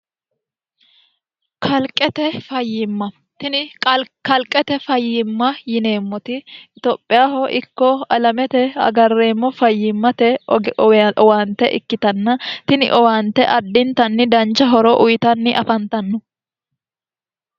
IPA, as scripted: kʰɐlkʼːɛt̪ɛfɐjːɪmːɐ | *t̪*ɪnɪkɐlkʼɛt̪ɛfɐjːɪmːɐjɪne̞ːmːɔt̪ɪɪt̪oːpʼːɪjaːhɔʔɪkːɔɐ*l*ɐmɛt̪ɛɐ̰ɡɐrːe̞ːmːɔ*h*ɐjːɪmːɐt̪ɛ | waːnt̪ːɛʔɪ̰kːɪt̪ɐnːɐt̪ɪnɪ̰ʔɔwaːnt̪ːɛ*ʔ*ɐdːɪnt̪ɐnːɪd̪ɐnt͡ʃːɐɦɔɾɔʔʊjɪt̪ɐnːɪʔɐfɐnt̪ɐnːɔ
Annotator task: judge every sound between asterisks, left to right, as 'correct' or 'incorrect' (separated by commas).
correct, correct, incorrect, correct